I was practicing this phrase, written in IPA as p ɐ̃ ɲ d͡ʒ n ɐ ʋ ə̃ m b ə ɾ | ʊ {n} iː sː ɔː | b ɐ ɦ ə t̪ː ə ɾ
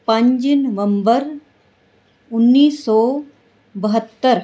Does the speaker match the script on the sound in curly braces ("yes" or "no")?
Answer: no